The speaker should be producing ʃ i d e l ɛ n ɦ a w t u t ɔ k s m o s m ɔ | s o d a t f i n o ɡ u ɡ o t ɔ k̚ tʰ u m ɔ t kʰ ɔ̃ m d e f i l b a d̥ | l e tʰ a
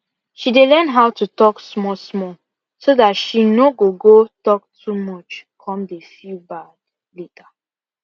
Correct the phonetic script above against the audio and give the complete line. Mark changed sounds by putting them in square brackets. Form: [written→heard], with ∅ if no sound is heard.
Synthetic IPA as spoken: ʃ i d e l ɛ n ɦ a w t u t ɔ k s m [o→ɔ] s m ɔ | s o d a t [f→ʃ] i n o ɡ [u→o] ɡ o t ɔ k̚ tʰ u m ɔ [t→t͡ʃ] kʰ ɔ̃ m d e f i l b a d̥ | l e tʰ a